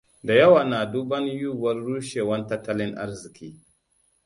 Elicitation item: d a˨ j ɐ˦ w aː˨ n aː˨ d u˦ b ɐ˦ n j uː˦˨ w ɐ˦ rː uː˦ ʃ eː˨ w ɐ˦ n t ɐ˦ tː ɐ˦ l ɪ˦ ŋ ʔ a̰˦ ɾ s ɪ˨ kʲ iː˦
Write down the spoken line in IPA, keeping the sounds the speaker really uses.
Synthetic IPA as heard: d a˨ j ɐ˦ w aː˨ n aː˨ d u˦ b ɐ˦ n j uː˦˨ w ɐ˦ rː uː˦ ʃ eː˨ w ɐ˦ n t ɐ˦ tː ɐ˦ l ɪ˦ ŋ ʔ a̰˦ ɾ z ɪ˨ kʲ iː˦